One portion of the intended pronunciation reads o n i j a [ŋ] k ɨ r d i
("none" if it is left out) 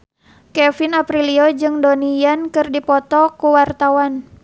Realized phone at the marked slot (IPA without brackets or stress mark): n